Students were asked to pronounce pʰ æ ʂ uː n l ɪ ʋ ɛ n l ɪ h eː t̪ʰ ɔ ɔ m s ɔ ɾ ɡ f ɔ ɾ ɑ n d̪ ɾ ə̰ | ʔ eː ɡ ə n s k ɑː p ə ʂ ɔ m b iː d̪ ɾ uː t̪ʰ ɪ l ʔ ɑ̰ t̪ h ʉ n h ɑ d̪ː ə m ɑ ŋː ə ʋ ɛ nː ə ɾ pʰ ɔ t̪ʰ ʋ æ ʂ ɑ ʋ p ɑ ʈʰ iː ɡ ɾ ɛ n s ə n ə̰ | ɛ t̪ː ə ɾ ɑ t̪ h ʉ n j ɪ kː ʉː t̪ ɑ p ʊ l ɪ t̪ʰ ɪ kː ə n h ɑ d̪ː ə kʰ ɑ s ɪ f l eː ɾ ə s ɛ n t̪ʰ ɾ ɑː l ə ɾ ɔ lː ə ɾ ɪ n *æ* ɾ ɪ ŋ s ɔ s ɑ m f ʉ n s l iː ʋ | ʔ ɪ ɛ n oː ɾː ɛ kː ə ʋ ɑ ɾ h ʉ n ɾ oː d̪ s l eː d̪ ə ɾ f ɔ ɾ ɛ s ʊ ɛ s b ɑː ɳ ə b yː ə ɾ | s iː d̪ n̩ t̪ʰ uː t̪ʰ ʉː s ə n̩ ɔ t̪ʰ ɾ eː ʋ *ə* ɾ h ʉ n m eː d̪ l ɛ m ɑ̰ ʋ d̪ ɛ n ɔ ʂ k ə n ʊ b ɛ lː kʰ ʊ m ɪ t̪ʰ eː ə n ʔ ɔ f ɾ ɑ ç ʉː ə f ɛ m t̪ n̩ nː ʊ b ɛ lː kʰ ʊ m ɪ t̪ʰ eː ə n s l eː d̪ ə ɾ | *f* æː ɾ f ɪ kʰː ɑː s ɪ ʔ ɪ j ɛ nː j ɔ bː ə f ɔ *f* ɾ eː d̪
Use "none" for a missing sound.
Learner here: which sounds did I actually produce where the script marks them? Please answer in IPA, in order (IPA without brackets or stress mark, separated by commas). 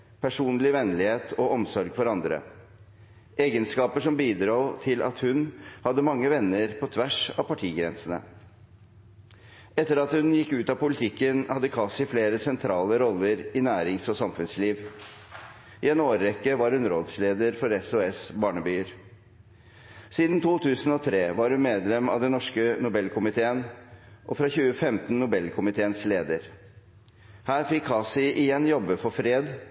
æː, ɑ, h, f